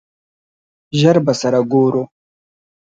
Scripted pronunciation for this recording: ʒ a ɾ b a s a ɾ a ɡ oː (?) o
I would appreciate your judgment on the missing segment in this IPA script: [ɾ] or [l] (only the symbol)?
ɾ